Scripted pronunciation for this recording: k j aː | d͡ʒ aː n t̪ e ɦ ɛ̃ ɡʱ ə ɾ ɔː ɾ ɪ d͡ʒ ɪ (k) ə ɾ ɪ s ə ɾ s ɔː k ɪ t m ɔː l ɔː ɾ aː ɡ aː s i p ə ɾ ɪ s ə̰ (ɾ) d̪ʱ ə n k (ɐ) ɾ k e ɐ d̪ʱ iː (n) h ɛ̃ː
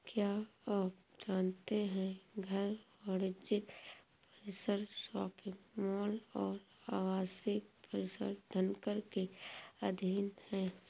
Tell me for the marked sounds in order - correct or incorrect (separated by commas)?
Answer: incorrect, correct, incorrect, correct